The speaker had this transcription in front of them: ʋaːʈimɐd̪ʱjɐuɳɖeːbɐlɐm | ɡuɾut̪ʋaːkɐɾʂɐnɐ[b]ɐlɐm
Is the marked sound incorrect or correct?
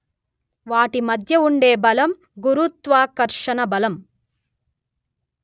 correct